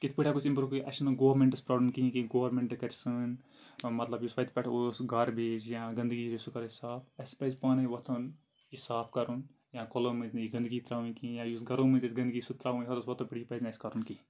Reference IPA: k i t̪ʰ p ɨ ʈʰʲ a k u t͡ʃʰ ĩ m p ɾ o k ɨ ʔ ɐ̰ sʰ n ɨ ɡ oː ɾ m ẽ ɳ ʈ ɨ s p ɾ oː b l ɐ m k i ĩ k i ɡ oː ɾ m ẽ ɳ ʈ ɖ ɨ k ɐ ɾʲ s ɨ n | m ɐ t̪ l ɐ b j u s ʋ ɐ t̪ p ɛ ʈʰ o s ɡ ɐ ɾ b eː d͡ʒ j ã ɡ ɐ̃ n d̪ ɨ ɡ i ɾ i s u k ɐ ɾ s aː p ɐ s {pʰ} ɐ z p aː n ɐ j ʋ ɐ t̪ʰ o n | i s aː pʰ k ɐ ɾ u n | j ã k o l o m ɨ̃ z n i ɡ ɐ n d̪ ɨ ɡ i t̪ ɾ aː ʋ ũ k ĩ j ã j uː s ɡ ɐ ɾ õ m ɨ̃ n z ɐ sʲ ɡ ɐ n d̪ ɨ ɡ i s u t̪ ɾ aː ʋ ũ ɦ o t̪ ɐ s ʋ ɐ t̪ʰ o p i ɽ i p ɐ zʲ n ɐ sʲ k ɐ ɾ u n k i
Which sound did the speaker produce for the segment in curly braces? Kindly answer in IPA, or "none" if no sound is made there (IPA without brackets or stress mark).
p